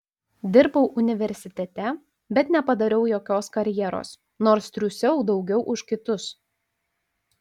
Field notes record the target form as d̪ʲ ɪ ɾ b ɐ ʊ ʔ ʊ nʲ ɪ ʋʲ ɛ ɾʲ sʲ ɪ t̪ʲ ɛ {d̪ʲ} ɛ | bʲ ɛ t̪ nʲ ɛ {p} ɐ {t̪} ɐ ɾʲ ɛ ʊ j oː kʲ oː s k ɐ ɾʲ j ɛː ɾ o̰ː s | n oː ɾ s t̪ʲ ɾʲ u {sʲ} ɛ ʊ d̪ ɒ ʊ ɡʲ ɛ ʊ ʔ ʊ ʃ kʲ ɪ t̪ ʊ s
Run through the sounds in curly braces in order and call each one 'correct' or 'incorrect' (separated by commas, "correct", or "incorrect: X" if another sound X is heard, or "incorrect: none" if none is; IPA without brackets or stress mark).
incorrect: t̪ʲ, correct, incorrect: d̪, correct